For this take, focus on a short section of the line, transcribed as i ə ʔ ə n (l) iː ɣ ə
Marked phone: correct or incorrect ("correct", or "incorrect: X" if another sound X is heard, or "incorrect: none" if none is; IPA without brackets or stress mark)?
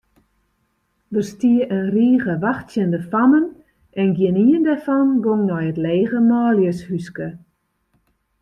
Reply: incorrect: r